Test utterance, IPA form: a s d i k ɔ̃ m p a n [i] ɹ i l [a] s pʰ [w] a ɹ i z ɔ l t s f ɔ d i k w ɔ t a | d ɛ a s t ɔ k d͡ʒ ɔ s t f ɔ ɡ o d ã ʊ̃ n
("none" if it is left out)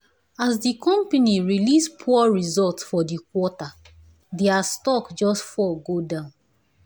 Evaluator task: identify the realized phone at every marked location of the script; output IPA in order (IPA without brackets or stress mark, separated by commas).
i, i, u